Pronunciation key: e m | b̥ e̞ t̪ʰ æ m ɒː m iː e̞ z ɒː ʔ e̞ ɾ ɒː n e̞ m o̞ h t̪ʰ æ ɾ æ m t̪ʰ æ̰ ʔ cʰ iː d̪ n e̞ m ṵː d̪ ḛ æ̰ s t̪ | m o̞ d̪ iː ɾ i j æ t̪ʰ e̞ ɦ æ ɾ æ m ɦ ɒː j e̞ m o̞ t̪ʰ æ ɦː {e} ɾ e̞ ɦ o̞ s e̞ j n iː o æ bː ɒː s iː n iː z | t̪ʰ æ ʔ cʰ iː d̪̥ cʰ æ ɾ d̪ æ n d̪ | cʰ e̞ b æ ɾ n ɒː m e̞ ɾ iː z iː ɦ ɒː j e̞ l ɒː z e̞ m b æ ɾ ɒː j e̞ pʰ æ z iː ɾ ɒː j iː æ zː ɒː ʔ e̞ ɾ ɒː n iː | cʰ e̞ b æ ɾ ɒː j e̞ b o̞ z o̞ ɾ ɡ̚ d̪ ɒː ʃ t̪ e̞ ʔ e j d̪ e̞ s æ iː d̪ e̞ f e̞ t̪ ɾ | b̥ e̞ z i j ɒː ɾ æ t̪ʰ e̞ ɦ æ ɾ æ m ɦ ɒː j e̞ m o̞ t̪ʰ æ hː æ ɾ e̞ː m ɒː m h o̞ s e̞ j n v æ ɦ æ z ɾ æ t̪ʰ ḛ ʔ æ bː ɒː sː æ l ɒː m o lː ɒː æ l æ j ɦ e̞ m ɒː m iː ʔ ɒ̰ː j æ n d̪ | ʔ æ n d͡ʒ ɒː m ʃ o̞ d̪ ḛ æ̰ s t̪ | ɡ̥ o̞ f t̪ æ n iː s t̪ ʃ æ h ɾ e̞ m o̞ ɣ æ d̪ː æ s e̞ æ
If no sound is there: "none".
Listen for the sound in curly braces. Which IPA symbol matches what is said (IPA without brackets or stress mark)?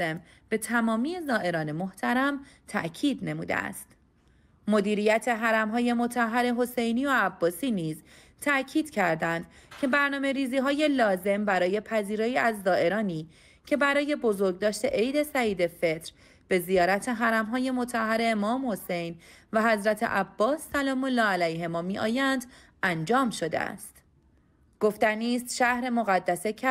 æ